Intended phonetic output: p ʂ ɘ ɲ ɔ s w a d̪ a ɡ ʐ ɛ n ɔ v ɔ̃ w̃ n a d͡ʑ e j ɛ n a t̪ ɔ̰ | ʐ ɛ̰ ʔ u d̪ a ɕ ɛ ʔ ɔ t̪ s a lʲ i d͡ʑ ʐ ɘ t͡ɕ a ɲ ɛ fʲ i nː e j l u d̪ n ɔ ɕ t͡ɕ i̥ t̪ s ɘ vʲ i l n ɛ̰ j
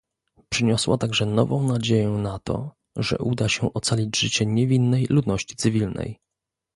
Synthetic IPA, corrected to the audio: p ʂ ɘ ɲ ɔ s w a t̪ a ɡ ʐ ɛ n ɔ v ɔ̃ w̃ n a d͡ʑ e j ɛ n a t̪ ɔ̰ | ʐ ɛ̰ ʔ u d̪ a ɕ ɛ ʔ ɔ t̪ s a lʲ i d͡ʑ ʐ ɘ t͡ɕ ɛ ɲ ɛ vʲ i nː ɛ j l u d̪ n ɔ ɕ t͡ɕ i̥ t̪ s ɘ vʲ i l n ɛ̰ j

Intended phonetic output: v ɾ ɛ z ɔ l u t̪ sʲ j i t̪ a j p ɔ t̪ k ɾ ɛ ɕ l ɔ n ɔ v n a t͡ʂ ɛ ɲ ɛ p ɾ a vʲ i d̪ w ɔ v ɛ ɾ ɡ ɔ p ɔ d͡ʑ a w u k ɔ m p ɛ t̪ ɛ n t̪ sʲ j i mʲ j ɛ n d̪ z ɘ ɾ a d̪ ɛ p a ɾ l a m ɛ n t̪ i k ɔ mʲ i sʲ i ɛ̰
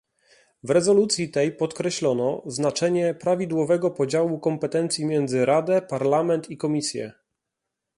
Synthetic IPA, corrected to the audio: v ɾ ɛ z ɔ l u t̪ sʲ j i t̪ ɛ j p ɔ t̪ k ɾ ɛ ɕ l ɔ n ɔ z n a t͡ʂ ɛ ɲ ɛ p ɾ a vʲ i d̪ w ɔ v ɛ ɡ ɔ p ɔ d͡ʑ a w u k ɔ m p ɛ t̪ ɛ n t̪ sʲ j i mʲ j ɛ n d̪ z ɘ ɾ a d̪ ɛ p a ɾ l a m ɛ n t̪ i k ɔ mʲ i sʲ j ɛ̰

